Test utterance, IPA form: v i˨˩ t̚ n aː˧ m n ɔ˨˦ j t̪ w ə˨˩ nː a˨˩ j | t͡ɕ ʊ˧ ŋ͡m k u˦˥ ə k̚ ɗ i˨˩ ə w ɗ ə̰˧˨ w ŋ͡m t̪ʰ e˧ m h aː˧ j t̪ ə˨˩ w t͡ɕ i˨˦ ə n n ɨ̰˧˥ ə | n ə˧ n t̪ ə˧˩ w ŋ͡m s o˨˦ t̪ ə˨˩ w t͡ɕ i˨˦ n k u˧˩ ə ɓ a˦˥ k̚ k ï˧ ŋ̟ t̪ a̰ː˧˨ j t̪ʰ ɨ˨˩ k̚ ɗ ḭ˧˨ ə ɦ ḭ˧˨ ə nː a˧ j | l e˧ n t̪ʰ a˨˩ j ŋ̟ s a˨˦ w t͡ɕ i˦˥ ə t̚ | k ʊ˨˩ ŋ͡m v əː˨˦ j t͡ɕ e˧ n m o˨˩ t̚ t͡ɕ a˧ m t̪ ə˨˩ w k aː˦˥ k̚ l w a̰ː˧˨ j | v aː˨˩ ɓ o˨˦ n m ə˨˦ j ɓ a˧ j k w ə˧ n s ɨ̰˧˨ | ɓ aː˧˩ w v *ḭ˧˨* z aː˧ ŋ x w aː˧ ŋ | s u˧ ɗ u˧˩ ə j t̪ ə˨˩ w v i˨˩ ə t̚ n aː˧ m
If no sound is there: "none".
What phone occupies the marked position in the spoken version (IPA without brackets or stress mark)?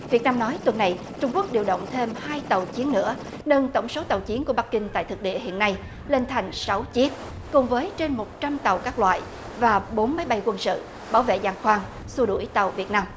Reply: ḛ˧˨